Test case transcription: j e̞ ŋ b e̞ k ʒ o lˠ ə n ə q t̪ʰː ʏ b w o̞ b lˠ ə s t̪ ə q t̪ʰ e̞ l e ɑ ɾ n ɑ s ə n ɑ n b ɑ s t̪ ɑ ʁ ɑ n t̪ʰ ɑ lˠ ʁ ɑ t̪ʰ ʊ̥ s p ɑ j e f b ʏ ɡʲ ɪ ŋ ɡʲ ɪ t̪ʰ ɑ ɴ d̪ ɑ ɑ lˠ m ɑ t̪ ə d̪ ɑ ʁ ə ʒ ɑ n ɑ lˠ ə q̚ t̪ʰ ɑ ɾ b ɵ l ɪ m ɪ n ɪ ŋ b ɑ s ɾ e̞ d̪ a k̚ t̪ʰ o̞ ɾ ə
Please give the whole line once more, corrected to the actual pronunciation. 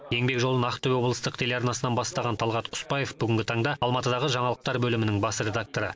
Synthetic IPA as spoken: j e̞ ŋ b e̞ k ʒ o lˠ ə n ɑ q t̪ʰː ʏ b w o̞ b lˠ ə s t̪ ə q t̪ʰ e̞ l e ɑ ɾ n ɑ s ə n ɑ n b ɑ s t̪ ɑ ʁ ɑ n t̪ʰ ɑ lˠ ʁ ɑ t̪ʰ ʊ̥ s p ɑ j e f b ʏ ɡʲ ɪ ŋ ɡʲ ɪ t̪ʰ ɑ ɴ d̪ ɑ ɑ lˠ m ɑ t̪ ə d̪ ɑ ʁ ə ʒ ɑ ɴ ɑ lˠ ə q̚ t̪ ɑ ɾ b ɵ l ɪ m ɪ n ɪ ŋ b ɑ s ɾ e̞ d̪ a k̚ t̪ o̞ ɾ ə

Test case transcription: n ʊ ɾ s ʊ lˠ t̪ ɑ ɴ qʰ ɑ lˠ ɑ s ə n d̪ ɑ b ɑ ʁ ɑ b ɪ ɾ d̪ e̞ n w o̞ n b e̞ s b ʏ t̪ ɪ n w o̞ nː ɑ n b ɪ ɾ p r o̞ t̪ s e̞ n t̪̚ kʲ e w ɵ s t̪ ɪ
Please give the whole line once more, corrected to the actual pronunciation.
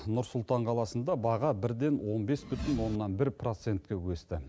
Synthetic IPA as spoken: n ʊ ɾ s ʊ lˠ t̪ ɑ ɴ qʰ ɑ lˠ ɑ s ə n d̪ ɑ b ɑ ʁ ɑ b ɪ ɾ d̪ e̞ n w o̞ n b e̞ s b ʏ t̪ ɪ n w o̞ nː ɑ n b ɪ ɾ p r o̞ t̪ s e̞ n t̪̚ kʲ e w ɵ s t̪ ɪ

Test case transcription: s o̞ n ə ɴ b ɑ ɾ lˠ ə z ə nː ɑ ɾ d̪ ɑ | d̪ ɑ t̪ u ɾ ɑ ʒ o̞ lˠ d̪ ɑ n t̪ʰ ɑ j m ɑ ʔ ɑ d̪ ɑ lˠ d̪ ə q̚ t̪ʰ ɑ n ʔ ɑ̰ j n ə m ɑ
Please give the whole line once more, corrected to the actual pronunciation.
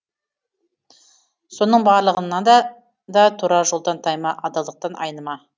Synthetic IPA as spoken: s o̞ n ə ɴ b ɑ ɾ lˠ ə ʁ ə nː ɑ d̪ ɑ | d̪ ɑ t̪ʰ u ɾ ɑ ʒ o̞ lˠ d̪ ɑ n t̪ʰ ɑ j m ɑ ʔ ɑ d̪ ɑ lˠ d̪ ə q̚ t̪ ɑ n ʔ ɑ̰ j n ə m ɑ

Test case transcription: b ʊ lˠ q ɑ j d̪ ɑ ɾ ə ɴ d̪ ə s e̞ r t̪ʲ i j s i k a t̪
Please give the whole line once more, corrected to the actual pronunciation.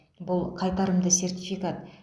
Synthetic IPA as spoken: b ʊ lˠ qʰ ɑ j t̪ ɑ ɾ ə m d̪ ə s e̞ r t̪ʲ i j f i k a t̪

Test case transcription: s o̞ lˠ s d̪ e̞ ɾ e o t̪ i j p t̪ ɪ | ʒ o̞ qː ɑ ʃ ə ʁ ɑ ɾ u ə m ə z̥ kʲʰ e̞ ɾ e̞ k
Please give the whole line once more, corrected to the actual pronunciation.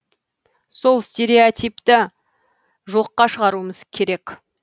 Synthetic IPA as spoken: s o̞ lˠ s t̪ e̞ ɾ e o t̪ i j p t̪ ɪ | ʒ o̞ qː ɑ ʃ ə ʁ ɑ ɾ u ə m ə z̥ kʲʰ e̞ ɾ e̞ k

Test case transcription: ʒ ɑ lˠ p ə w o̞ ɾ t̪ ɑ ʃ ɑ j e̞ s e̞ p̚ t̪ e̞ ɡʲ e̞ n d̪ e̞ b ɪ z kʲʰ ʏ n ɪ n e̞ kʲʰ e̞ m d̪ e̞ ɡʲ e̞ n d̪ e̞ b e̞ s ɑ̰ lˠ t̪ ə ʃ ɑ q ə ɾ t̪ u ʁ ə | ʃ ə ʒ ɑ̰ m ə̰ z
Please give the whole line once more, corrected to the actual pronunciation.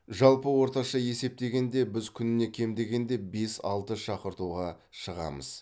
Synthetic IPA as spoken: ʒ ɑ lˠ p ə w o̞ ɾ t̪ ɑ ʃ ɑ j e̞ s e̞ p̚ t̪ e̞ ɡʲ e̞ n d̪ e̞ b ɪ z kʲʰ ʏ n ɪ n e̞ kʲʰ e̞ m d̪ e̞ ɡʲ e̞ n d̪ e̞ b e̞ s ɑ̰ lˠ t̪ ə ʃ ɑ q ə ɾ t̪ u ʁ ɑ | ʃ ə ʁ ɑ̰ m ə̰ z

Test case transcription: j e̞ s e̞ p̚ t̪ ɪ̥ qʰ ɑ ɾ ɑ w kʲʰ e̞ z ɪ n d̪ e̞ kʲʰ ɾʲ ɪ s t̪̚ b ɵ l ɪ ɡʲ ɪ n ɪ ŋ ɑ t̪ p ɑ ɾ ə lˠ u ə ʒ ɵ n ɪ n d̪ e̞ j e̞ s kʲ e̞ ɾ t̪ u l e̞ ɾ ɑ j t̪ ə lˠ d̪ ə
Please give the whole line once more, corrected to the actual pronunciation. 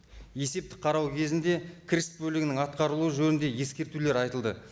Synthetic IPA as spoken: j e̞ s e̞ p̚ t̪ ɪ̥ qʰ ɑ ɾ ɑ w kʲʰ e̞ z ɪ n d̪ e̞ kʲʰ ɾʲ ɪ s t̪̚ b ɵ l ɪ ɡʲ ɪ n ɪ ŋ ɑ t̪ q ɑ ɾ ə lˠ u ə ʒ ɵ n ɪ n d̪ e̞ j e̞ s kʲ e̞ ɾ t̪ u l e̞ ɾ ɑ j t̪ ə lˠ d̪ ə

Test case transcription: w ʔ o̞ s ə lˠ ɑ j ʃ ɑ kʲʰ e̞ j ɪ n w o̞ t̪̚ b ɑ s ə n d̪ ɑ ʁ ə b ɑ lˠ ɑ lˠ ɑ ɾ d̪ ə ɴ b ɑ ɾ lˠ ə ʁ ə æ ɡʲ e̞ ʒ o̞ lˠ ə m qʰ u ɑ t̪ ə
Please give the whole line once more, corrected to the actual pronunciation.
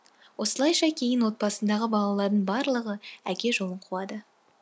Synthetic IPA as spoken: w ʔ o̞ s ə lˠ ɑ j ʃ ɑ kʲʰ e̞ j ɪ n w o̞ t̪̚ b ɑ s ə n d̪ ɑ ʁ ə b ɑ lˠ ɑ lˠ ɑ ɾ d̪ ə ɴ b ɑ ɾ lˠ ə ʁ ə æ kʲ e̞ ʒ o̞ lˠ ə ɴ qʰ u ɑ d̪ ə

